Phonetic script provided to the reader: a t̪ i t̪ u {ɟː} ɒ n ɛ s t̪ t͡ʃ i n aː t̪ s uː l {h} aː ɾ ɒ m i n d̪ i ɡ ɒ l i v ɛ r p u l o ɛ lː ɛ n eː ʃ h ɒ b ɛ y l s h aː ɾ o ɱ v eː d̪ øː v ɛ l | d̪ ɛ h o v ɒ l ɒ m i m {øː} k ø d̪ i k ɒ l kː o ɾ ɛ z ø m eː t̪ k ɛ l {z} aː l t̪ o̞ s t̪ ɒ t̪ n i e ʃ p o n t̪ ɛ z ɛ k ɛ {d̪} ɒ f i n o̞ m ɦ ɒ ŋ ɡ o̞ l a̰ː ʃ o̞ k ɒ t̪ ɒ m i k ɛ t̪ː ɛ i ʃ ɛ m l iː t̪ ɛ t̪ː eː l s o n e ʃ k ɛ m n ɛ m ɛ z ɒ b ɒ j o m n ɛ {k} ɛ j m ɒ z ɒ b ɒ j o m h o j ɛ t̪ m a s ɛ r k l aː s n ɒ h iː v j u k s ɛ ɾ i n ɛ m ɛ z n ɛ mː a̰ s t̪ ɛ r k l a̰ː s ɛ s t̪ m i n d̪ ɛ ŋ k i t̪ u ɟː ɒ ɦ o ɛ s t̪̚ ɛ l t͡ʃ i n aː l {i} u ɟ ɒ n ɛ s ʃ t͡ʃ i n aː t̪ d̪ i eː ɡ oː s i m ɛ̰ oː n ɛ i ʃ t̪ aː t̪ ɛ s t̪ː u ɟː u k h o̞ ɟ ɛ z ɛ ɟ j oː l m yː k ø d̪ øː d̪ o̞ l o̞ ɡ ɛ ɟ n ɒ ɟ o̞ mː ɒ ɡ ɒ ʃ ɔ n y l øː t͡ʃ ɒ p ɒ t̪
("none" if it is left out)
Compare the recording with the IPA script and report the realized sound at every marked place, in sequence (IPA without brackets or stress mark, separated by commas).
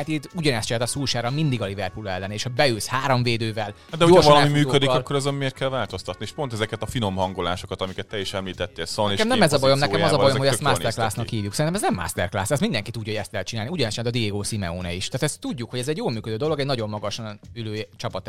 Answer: ɟ, ʃ, yː, v, t̪, k, i